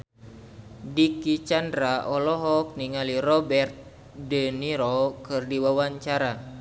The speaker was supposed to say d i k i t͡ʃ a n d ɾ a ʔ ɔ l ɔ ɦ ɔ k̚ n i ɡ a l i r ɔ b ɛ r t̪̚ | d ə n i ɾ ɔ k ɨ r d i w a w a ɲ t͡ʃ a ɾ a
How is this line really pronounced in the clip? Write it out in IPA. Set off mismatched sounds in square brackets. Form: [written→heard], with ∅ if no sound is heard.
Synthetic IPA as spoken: d i k i t͡ʃ a n d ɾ a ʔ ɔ l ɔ ɦ ɔ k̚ n i [ɡ→ŋ] a l i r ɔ b ɛ r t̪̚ | d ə n i ɾ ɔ k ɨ r d i w a w a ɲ t͡ʃ a ɾ a